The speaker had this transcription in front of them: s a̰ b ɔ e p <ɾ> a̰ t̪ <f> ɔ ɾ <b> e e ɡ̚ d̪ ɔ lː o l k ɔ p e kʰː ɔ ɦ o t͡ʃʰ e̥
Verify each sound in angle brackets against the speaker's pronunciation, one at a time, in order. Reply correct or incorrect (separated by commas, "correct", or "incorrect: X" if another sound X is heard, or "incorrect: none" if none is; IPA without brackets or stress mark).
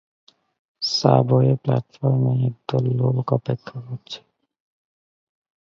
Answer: incorrect: l, correct, incorrect: m